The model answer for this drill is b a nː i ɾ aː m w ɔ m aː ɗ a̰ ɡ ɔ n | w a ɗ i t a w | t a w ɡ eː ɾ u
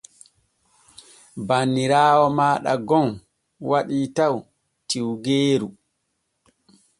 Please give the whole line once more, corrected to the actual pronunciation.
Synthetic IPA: b a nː i ɾ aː w ɔ m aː ɗ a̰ ɡ ɔ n | w a ɗ i t a w | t i w ɡ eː ɾ u